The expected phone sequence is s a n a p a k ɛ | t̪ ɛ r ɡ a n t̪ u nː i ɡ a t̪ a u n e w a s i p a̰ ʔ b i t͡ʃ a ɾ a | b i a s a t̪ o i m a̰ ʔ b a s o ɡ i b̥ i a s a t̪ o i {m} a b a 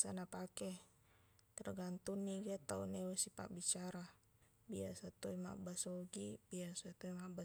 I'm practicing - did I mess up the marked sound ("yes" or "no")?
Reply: no